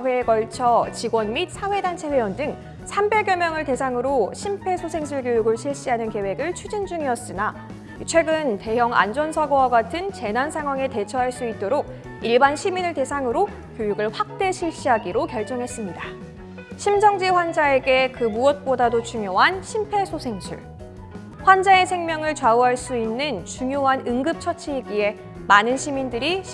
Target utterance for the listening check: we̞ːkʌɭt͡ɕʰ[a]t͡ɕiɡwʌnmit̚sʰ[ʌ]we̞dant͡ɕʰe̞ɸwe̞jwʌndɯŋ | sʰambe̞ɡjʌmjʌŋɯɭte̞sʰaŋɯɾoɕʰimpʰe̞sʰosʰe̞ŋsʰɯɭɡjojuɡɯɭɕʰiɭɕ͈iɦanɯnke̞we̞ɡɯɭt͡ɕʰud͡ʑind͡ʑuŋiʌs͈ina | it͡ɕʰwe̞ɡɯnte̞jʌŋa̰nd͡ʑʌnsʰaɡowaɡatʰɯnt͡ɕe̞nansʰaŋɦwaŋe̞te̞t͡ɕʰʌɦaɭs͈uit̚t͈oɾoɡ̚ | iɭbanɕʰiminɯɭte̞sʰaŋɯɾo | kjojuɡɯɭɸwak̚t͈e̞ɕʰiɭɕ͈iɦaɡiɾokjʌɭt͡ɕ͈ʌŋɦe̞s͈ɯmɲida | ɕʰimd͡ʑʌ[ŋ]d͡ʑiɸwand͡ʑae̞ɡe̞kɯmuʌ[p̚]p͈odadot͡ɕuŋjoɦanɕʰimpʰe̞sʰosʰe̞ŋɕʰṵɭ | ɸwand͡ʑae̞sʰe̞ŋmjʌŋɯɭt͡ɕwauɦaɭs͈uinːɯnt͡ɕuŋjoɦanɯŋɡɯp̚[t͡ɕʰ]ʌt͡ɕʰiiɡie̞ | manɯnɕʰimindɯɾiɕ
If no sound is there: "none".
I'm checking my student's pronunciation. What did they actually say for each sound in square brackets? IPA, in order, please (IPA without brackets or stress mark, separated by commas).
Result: ʌ, a, ŋ, t̚, t͡ɕʰ